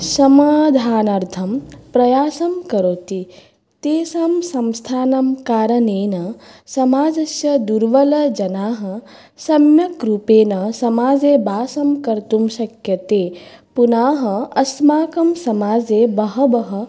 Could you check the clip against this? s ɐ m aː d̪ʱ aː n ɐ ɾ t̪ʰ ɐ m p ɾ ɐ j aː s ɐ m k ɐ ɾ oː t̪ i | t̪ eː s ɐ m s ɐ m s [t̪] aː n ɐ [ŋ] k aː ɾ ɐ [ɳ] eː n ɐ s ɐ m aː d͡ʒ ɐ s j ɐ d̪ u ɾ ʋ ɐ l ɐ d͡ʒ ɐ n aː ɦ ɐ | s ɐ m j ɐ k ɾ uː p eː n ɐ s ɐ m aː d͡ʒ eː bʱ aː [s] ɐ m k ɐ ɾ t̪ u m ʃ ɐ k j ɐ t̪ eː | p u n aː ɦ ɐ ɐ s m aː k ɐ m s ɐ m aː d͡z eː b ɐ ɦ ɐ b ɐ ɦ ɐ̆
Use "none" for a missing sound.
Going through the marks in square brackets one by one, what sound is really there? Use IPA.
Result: t̪ʰ, m, n, s

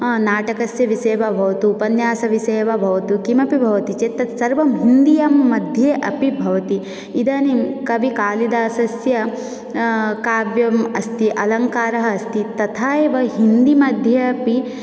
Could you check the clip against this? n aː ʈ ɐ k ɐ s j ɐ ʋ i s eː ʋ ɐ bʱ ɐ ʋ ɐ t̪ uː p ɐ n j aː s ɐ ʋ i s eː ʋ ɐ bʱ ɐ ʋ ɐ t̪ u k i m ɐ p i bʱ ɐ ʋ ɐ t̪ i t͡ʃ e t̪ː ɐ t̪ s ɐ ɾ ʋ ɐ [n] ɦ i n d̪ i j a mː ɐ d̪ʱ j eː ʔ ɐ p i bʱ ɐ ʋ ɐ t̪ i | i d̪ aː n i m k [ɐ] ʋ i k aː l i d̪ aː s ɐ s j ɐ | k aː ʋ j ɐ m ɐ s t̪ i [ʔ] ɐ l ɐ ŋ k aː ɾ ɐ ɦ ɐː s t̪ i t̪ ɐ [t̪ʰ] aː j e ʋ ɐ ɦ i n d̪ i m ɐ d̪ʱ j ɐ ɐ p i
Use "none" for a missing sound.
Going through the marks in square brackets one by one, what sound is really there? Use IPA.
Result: m, ɐ, ʔ, t̪ʰ

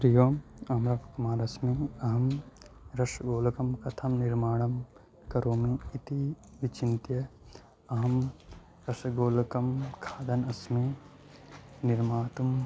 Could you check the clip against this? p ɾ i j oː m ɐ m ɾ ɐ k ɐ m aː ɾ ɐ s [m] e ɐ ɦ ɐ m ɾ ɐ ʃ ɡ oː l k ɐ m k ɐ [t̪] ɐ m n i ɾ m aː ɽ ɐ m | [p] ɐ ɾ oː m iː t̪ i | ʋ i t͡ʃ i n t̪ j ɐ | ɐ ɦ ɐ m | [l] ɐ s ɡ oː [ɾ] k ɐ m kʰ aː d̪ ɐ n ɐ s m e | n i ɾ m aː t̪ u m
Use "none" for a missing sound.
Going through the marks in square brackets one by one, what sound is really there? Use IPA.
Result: m, t̪ʰ, k, ɾ, l

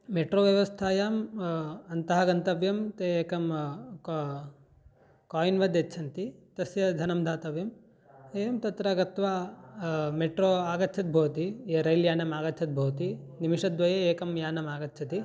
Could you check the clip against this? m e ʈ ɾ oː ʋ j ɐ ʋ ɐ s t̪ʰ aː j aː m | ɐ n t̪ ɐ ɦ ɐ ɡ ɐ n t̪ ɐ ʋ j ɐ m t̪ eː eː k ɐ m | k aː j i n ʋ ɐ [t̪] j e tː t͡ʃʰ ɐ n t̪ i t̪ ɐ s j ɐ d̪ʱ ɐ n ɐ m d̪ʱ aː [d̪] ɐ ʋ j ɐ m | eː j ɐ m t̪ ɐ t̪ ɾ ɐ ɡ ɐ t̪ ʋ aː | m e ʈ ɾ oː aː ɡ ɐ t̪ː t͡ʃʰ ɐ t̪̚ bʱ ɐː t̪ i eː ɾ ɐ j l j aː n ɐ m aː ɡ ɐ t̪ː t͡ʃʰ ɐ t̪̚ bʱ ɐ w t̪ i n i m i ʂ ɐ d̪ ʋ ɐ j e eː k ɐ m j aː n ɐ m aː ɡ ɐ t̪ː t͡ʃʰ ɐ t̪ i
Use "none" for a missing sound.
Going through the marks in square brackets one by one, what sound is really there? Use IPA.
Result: d̪, t̪

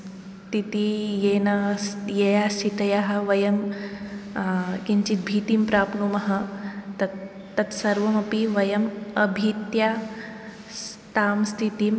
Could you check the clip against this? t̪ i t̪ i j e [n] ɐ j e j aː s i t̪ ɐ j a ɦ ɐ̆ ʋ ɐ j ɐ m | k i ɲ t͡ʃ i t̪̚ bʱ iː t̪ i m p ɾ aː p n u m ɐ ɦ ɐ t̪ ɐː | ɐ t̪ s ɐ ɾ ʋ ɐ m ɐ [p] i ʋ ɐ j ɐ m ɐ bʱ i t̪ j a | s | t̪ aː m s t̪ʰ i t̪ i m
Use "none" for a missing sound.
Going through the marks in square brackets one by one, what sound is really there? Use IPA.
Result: n, p

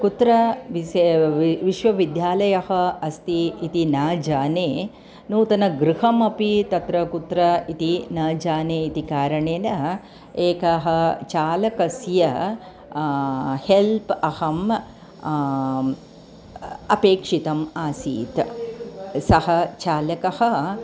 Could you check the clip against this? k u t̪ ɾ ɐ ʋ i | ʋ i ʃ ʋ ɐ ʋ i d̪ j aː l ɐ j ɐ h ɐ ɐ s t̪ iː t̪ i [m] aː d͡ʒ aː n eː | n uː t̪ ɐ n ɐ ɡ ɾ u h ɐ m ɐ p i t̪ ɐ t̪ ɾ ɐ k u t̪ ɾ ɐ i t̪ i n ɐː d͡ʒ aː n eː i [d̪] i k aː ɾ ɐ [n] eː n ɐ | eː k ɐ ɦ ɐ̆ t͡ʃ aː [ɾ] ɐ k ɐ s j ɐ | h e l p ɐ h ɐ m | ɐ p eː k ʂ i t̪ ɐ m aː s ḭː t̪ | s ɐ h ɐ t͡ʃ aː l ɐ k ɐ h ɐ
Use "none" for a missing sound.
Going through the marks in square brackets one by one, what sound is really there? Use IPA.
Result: n, t̪, ɳ, l

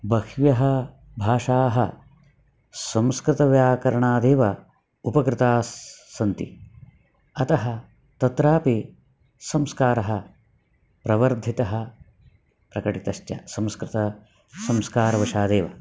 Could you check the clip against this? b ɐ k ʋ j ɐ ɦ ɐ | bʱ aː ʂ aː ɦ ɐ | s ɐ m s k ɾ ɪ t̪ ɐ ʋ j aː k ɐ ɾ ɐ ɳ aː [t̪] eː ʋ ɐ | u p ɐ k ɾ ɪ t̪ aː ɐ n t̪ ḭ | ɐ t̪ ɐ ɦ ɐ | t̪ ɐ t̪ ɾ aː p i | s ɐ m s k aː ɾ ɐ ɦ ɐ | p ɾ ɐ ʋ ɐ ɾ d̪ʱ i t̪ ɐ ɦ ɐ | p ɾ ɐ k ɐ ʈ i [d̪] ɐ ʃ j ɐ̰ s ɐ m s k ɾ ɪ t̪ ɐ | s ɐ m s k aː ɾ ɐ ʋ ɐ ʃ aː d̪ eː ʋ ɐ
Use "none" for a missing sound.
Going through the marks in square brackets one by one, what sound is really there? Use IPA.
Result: d̪, t̪

